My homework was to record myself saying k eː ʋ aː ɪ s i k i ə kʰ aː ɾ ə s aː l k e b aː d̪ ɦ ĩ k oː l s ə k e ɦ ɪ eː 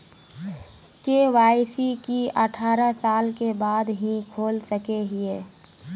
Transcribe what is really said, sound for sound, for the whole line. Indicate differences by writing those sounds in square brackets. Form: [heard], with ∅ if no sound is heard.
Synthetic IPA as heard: k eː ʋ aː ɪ s i k i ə [ʈʰ] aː ɾ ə s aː l k e b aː d̪ ɦ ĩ [kʰ] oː l s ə k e ɦ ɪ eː